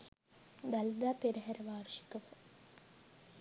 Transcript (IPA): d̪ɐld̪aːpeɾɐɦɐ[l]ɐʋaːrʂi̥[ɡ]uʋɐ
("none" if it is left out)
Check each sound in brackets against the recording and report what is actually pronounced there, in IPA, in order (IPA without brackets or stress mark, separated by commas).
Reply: ɾ, k